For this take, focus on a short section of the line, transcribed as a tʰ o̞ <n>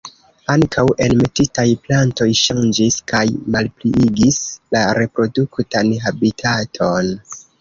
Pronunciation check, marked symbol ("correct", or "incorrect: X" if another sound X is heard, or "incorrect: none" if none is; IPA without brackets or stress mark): correct